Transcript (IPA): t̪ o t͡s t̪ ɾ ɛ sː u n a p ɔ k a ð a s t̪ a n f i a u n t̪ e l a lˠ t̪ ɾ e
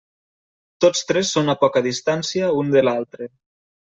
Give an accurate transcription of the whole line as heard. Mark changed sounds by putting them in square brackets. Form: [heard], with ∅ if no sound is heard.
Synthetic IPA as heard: t̪ o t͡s t̪ ɾ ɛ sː [o] n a p ɔ k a ð [i] s t̪ a n [s] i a u n [d̪] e l a lˠ t̪ ɾ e

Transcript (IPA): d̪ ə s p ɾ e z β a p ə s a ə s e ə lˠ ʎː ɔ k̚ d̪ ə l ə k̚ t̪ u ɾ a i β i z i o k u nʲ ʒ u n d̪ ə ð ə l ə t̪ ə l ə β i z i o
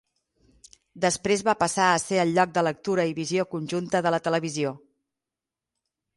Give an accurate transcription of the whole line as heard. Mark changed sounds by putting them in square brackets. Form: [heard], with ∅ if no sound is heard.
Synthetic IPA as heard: d̪ ə s p ɾ e z β a p ə s a ə s e ə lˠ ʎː ɔ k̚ d̪ ə l ə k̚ t̪ u ɾ [ə] i β i z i o k u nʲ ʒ u n [t̪] ə ð ə l ə t̪ ə l ə β i z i o

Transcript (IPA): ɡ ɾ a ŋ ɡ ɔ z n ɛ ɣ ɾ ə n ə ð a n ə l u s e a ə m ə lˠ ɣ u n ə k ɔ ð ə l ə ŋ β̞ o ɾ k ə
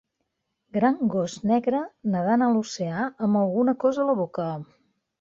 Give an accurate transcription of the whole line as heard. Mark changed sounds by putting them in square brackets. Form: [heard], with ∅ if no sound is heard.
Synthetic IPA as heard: ɡ ɾ a ŋ ɡ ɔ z n ɛ ɣ ɾ ə n ə ð a n ə l u s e a ə m ə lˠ ɣ u n ə k ɔ [z] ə l ə [∅] β̞ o [∅] k ə

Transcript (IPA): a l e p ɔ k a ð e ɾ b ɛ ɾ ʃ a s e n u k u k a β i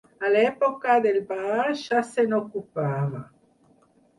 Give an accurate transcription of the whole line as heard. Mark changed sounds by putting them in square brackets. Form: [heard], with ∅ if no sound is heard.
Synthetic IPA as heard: a l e p [o] k a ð e [l] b [a] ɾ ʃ a s e n [o] k u [p] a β [a]

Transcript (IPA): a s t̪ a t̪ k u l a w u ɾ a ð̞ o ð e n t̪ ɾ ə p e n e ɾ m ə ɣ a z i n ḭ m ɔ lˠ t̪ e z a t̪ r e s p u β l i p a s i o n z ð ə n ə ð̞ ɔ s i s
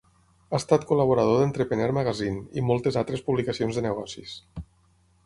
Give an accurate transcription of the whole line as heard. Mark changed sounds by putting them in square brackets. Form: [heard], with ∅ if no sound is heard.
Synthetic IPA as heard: a s t̪ a t̪ k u l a [β] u ɾ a ð̞ o ð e n t̪ ɾ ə p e n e ɾ m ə ɣ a z i n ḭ m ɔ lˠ t̪ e z a t̪ [ɾ] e s p u β l i [k] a s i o n z ð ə n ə [ɣ̞] ɔ s i s

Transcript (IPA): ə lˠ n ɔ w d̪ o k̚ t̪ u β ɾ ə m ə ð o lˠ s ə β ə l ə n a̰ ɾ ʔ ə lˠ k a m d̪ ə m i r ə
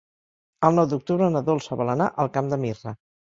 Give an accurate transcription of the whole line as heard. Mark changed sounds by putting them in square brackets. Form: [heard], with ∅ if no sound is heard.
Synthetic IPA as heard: ə lˠ n ɔ w d̪ [u] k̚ t̪ u β ɾ ə [n] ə ð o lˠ s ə β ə l ə n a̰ [∅] ʔ ə lˠ k a m d̪ ə m i r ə

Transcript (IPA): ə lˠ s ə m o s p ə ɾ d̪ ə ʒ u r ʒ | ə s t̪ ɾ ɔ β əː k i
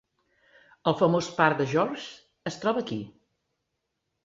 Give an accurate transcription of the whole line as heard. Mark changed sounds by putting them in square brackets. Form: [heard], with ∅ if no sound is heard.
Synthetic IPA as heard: ə lˠ [f] ə m o s p [a] ɾ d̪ ə ʒ [ɔ] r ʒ | ə s t̪ ɾ ɔ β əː k i

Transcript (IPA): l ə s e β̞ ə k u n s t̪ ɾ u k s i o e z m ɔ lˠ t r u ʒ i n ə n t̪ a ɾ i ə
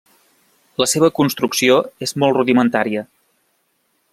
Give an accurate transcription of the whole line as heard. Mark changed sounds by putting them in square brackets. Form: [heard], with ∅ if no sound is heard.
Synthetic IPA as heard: l ə s e β̞ ə k u n s t̪ ɾ u k s i o e z m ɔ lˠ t r u [ð] i [m] ə n t̪ a ɾ i ə

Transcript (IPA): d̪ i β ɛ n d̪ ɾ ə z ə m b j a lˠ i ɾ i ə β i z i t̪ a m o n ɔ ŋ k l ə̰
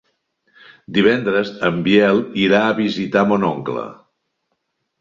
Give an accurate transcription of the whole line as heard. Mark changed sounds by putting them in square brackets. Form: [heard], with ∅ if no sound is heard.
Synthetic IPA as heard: d̪ i β ɛ n d̪ ɾ ə z ə m b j [ɛ] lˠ i ɾ [a] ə β i z i t̪ a m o n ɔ ŋ k l ə̰

